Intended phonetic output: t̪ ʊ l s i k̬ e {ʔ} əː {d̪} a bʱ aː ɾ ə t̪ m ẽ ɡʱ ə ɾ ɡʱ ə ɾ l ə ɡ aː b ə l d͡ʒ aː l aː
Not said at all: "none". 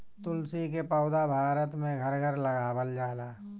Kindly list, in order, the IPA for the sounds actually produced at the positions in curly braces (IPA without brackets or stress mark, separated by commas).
p, d̪